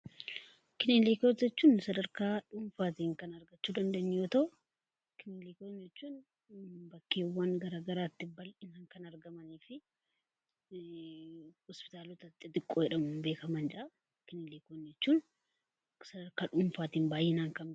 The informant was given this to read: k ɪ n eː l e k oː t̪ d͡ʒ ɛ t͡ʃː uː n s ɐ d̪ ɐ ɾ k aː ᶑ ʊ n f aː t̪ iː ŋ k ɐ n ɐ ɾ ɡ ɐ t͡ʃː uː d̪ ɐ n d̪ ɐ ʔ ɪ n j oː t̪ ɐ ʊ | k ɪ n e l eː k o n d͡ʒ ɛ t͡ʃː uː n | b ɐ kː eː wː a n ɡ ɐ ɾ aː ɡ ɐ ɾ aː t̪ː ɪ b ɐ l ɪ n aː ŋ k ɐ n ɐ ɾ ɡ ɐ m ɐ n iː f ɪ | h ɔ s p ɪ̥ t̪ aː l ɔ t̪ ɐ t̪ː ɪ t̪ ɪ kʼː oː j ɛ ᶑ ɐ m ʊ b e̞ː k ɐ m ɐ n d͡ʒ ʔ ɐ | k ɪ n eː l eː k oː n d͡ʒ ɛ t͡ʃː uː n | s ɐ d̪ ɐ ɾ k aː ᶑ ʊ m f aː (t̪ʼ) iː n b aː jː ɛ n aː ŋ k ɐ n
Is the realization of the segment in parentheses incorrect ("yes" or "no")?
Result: yes